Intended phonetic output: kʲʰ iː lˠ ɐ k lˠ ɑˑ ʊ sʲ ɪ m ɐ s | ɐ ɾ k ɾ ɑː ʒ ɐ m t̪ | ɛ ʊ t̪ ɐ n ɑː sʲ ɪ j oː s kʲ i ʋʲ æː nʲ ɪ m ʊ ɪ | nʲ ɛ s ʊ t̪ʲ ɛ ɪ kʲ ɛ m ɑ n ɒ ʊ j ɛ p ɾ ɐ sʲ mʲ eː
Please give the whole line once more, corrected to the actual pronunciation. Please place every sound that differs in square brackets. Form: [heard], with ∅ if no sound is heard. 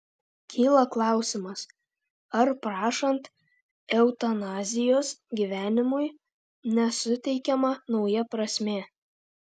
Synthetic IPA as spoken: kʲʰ iː lˠ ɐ k lˠ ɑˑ ʊ sʲ ɪ m ɐ s | ɐ ɾ [p] ɾ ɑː [ʃ] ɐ [n] t̪ | ɛ ʊ t̪ ɐ n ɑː [zʲ] ɪ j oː s [ɡʲ] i ʋʲ æː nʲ ɪ m ʊ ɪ | nʲ ɛ s ʊ t̪ʲ ɛ ɪ kʲ ɛ m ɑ n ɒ ʊ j ɛ p ɾ ɐ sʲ mʲ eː